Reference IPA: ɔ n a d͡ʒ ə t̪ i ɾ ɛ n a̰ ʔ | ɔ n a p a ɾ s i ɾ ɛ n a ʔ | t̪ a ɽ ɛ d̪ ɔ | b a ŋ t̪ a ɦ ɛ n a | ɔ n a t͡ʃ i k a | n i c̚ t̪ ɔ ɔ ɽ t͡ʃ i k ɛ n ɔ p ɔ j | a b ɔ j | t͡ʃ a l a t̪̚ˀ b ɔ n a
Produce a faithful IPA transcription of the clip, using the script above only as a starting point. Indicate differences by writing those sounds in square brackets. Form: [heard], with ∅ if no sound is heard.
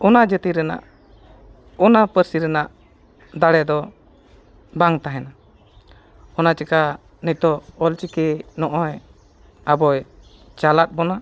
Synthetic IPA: ɔ n a d͡ʒ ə t̪ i ɾ ɛ n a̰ ʔ | ɔ n a p [ə] ɾ s i ɾ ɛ n a ʔ | [d̪] a ɽ ɛ d̪ ɔ | b a ŋ t̪ a ɦ ɛ n a | ɔ n a t͡ʃ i k a | n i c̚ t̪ ɔ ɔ [l] t͡ʃ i k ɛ n ɔ [ʔ] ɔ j | a b ɔ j | t͡ʃ a l a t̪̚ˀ b ɔ n a